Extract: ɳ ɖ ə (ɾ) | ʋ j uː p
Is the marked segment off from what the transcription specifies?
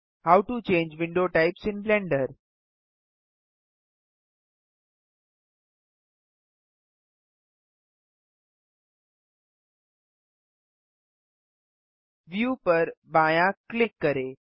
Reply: no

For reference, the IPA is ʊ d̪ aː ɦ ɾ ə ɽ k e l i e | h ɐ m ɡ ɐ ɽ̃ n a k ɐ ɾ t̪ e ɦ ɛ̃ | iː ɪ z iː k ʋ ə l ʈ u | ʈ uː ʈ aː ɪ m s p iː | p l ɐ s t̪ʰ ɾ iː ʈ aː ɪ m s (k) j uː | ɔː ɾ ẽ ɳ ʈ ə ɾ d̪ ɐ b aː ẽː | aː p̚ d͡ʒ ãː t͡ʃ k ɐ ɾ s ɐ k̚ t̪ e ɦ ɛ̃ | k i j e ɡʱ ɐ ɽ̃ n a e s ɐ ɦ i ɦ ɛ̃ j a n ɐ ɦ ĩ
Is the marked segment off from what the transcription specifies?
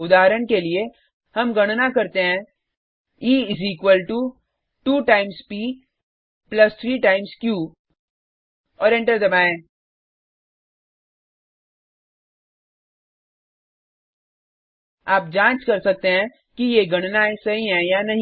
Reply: no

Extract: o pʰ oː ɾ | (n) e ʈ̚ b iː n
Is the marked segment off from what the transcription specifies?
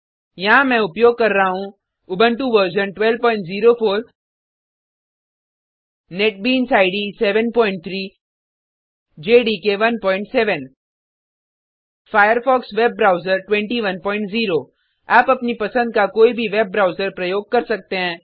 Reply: no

